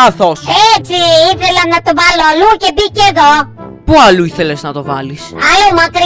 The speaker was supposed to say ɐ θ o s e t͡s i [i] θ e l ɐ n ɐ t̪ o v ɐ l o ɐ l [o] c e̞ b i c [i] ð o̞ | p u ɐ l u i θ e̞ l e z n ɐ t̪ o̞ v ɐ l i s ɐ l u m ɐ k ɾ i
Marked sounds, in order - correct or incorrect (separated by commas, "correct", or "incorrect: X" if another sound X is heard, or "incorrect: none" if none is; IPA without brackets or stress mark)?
correct, incorrect: u, incorrect: e